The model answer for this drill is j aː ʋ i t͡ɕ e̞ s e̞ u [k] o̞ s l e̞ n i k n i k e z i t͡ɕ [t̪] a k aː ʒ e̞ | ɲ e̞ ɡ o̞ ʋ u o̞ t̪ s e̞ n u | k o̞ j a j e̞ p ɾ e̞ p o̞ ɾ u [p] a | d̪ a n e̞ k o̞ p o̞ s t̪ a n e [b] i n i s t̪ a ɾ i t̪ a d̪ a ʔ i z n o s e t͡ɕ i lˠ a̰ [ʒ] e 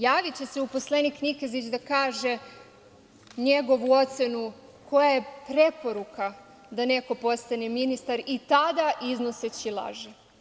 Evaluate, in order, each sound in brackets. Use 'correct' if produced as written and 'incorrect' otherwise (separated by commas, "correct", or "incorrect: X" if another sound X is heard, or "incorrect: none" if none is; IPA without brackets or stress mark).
incorrect: p, incorrect: d̪, incorrect: k, incorrect: m, correct